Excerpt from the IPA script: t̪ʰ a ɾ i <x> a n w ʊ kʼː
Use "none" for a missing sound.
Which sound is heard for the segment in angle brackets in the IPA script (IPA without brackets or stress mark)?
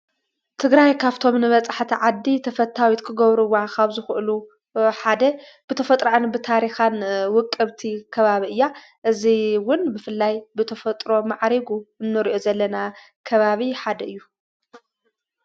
x